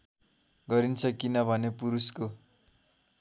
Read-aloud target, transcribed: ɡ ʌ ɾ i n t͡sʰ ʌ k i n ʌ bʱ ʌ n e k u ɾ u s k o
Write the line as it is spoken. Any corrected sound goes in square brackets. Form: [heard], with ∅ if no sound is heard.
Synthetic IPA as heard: ɡ ʌ ɾ i n t͡sʰ ʌ k i n ʌ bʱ ʌ n e [p] u ɾ u s k o